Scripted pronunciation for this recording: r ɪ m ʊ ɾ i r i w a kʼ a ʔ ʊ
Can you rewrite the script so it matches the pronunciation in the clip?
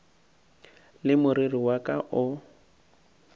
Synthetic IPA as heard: l ɪ m ʊ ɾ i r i w a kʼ a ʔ ʊ